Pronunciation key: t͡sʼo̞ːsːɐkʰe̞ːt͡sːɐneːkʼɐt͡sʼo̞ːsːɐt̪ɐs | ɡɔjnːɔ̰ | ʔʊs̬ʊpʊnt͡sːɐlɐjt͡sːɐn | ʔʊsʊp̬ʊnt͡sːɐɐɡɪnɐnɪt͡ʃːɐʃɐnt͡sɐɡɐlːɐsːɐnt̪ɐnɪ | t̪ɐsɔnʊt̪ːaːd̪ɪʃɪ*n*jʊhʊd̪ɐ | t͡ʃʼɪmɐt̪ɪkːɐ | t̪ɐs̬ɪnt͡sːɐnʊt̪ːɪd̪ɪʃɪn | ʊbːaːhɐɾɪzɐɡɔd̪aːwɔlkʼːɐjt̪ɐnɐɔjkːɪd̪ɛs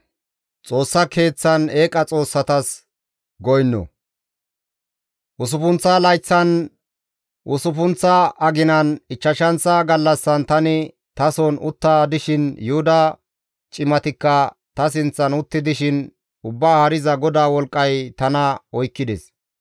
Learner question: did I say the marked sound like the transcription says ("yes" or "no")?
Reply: yes